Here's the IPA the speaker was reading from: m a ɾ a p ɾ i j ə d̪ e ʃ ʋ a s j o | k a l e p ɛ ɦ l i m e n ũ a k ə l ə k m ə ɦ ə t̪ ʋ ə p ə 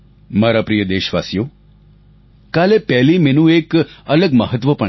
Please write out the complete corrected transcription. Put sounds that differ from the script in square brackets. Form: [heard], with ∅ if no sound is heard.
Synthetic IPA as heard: m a ɾ a p ɾ i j ə d̪ e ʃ ʋ a s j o | k a l e p ɛ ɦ l i m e n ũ [e] k ə l ə [ɡ] m ə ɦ ə t̪ ʋ ə p ə